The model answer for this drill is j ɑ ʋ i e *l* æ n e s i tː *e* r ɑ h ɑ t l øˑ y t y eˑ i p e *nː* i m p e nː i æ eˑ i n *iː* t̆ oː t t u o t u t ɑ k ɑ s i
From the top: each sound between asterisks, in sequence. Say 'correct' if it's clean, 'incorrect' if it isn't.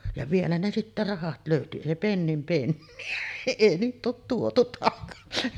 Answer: correct, incorrect: æ, correct, correct

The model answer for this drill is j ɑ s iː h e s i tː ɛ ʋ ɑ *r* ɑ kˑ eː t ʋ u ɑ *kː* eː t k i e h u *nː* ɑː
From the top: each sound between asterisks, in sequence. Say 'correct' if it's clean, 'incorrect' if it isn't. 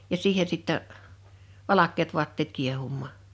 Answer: incorrect: l, incorrect: tː, incorrect: mː

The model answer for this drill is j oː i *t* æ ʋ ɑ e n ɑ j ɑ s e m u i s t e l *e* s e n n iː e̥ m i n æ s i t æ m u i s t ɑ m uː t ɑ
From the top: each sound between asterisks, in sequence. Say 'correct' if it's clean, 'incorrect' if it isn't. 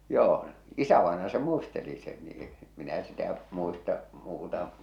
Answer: incorrect: s, incorrect: i

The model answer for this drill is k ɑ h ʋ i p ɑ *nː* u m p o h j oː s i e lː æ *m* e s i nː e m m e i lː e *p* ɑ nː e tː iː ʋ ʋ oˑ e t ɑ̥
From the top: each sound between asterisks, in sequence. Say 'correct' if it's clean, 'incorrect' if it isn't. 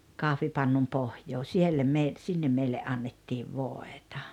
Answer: correct, correct, incorrect: ʔ

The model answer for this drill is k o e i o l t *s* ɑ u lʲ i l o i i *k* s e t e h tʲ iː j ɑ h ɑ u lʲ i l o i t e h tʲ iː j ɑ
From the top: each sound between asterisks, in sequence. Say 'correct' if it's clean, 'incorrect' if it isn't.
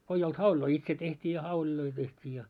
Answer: incorrect: h, incorrect: t

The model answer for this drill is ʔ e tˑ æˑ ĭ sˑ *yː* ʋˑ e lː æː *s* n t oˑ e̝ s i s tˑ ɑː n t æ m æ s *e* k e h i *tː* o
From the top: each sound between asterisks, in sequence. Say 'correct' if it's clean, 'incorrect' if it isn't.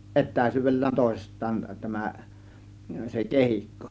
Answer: correct, incorrect: none, correct, incorrect: kː

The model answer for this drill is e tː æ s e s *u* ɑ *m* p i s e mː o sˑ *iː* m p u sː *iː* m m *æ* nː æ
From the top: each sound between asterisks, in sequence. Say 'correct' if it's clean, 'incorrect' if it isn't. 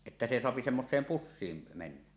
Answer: incorrect: o, incorrect: none, incorrect: eː, correct, incorrect: e

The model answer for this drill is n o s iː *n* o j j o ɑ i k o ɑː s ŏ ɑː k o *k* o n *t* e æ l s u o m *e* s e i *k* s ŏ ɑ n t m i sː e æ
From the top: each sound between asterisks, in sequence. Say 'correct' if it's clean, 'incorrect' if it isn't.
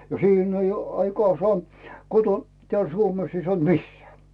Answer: correct, incorrect: t, correct, correct, incorrect: none

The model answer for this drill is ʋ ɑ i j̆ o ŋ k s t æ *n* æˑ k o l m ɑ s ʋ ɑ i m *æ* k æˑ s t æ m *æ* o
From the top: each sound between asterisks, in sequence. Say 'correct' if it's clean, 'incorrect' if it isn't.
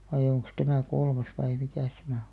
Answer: incorrect: m, incorrect: i, correct

